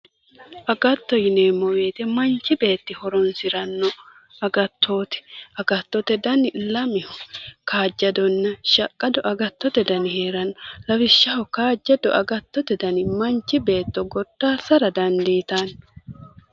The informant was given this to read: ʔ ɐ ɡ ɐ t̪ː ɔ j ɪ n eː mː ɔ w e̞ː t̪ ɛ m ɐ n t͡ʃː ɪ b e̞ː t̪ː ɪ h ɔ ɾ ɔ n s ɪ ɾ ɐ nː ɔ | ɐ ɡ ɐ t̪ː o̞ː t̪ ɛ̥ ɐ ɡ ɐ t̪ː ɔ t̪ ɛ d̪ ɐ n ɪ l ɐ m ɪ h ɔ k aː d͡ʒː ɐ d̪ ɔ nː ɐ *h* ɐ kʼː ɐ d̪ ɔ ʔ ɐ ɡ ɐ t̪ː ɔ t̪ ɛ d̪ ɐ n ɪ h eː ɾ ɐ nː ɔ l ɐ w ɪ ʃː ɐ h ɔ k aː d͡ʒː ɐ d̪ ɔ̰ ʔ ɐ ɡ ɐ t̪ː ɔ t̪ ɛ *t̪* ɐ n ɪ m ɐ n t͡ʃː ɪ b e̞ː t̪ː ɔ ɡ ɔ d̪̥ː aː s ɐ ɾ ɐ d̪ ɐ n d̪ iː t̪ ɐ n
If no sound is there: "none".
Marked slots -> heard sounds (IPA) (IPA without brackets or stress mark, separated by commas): ʃ, d̪